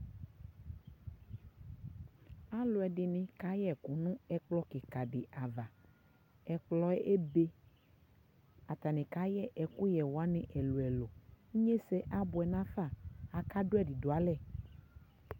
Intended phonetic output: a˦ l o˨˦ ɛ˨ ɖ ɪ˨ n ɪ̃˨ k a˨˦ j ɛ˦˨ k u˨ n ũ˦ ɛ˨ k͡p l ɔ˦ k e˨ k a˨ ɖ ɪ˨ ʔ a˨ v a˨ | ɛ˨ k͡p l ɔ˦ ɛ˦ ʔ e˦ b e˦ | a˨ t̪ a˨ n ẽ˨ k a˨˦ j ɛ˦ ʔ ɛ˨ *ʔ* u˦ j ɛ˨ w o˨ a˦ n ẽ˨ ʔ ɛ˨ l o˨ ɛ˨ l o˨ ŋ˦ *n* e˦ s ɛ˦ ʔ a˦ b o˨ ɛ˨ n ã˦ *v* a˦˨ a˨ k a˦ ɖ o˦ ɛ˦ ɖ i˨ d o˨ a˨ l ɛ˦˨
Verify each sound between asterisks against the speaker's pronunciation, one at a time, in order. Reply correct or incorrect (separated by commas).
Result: incorrect, incorrect, incorrect